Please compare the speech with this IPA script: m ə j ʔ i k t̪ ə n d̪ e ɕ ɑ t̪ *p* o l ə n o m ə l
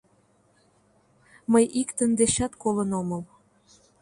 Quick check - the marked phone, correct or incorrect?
incorrect: k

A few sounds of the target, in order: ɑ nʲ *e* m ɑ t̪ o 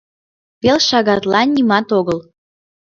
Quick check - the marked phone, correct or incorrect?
incorrect: i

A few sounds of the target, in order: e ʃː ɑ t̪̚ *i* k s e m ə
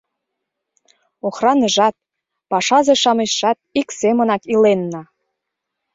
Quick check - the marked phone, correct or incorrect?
correct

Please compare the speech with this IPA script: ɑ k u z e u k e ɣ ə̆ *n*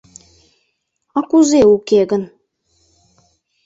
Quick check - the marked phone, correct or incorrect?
correct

